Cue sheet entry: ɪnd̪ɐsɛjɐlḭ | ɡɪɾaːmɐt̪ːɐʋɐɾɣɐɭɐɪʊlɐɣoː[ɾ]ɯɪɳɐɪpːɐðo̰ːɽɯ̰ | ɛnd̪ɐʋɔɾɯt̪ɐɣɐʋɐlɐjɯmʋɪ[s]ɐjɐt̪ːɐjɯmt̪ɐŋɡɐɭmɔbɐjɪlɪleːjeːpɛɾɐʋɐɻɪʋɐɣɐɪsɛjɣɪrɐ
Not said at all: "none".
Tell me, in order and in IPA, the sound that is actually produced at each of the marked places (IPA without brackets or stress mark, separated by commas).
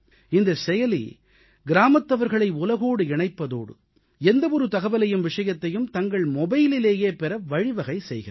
ɽ, ʂ